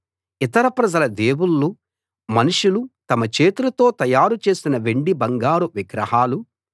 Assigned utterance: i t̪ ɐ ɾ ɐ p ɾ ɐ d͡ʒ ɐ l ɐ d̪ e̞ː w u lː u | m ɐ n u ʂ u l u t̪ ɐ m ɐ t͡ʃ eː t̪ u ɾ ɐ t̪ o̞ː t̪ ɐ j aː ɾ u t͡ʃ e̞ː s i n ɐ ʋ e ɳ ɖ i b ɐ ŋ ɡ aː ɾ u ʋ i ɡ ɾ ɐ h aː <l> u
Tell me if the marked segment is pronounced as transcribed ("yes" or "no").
yes